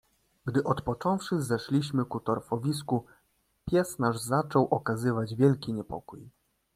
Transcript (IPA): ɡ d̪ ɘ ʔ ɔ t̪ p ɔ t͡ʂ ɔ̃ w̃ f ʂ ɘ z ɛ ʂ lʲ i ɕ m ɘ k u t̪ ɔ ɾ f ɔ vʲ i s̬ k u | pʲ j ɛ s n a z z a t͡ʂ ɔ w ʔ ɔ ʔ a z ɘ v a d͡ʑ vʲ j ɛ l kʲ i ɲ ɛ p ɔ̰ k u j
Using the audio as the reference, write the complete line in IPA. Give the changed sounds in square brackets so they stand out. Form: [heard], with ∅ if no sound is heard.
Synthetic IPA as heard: ɡ d̪ ɘ ʔ ɔ t̪ p ɔ t͡ʂ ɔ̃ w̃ f ʂ ɘ z ɛ ʂ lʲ i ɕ m ɘ k u t̪ ɔ ɾ f ɔ vʲ i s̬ k u | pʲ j ɛ s n a [ʐ] z a t͡ʂ ɔ w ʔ ɔ [k] a z ɘ v a d͡ʑ vʲ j ɛ l kʲ i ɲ ɛ p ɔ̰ k u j